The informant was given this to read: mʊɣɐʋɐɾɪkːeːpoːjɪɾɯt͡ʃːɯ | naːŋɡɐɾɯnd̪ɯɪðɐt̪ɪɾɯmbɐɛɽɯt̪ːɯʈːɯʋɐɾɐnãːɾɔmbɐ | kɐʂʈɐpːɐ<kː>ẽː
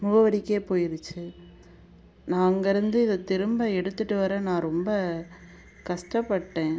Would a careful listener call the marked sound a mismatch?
yes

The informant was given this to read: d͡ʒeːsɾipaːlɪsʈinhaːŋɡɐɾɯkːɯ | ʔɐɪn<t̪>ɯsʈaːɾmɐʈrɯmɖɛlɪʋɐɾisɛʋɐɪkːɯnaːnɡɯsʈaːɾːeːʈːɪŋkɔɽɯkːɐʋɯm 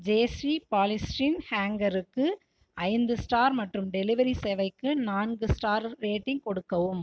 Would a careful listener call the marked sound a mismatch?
yes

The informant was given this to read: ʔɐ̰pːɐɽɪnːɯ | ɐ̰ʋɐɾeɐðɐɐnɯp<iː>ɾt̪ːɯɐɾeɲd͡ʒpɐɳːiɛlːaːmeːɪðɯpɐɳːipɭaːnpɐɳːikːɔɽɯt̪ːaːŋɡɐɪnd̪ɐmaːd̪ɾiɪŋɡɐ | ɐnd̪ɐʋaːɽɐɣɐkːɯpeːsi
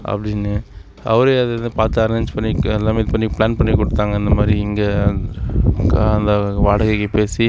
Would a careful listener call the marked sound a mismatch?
yes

